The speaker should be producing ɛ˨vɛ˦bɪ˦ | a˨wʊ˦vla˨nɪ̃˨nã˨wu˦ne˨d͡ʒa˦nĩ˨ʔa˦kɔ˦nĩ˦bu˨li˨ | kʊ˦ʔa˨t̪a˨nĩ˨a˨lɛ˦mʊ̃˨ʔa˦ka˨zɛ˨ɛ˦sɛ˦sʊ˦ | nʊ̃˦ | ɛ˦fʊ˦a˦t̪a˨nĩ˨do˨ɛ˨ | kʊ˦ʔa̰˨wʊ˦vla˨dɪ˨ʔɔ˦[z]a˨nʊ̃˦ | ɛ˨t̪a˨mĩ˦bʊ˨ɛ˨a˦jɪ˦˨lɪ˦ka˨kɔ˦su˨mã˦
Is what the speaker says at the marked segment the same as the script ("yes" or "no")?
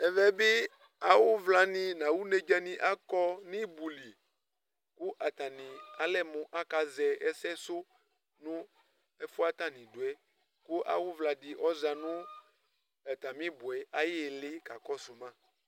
yes